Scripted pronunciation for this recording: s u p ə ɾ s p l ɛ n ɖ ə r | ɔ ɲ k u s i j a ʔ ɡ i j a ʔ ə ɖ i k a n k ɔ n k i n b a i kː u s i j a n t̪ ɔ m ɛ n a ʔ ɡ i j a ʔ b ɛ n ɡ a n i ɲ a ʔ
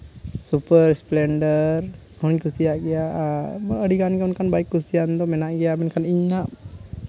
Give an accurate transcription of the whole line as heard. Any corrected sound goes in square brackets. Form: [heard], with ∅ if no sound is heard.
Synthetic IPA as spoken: s u p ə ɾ s p l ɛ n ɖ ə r | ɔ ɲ k u s i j a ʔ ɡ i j a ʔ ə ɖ i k a n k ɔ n k [a] n b a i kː u s i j a n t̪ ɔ m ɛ n a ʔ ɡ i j a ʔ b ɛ n [k] a n i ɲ a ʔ